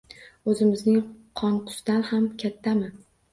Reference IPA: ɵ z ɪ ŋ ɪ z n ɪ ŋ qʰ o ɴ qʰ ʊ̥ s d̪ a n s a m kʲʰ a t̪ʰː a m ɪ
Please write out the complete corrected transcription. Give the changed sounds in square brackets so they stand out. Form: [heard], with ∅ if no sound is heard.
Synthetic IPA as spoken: ɵ z ɪ [m] ɪ z n ɪ ŋ qʰ [ɒ] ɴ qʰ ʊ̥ s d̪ a n [h] a m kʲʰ a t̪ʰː a m ɪ